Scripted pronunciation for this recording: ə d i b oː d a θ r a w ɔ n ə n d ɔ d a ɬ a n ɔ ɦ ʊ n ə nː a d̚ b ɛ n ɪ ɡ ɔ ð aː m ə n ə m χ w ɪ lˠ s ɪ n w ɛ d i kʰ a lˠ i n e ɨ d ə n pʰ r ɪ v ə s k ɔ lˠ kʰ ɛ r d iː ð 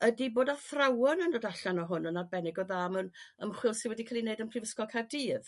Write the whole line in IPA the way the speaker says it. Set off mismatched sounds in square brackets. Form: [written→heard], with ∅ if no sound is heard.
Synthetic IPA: ə d i b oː d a θ r a w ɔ n ə n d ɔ d a ɬ a n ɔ ɦ ʊ n ə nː a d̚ b ɛ n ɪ ɡ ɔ ð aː m ə n ə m χ w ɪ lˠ s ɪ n w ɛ d i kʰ a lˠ i n e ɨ d ə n pʰ r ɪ v ə s k ɔ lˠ kʰ [ɛ→a] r d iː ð